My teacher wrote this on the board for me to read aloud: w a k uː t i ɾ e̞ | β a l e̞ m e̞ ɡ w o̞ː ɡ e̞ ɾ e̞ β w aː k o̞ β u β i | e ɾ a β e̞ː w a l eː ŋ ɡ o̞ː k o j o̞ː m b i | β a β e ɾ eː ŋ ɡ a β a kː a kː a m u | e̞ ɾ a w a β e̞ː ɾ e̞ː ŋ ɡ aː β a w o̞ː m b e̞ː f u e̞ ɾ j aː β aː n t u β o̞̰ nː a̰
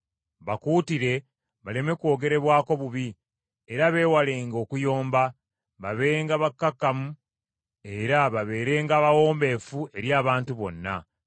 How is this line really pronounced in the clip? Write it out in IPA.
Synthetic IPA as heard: β a k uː t i ɾ e̞ | β a l e̞ m e̞ k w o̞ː ɡ e̞ ɾ e̞ β w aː k o̞ β u β i | e ɾ a β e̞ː w a l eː ŋ ɡ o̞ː k u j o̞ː m b a | β a β e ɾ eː ŋ ɡ a β a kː a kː a m u | e̞ ɾ a β a β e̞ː ɾ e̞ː ŋ ɡ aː β a w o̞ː m b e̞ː f u e̞ ɾ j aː β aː n t u β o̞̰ nː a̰